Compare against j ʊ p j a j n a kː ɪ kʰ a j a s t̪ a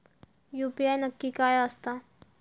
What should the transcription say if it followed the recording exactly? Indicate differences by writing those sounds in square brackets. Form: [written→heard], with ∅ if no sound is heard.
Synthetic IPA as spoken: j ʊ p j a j n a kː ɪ [kʰ→k] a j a s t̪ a